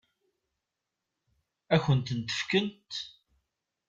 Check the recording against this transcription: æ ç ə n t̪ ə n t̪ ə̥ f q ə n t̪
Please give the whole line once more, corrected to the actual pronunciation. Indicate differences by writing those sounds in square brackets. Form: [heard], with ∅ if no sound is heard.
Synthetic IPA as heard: æ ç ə n t̪ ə n t̪ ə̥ f [k] ə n t̪